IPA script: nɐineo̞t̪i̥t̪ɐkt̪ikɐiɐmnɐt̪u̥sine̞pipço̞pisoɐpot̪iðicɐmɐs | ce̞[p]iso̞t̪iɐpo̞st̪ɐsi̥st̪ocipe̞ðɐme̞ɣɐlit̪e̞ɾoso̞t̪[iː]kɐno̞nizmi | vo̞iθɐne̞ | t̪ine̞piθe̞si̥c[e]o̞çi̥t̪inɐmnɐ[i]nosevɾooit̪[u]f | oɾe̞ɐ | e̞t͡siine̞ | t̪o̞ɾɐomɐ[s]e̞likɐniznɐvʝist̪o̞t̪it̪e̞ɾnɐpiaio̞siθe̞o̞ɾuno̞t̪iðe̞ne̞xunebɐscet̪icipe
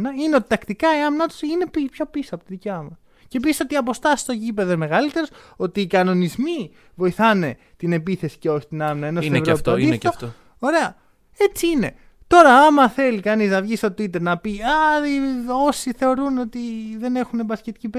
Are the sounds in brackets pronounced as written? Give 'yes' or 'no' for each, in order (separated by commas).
yes, yes, yes, no, no, no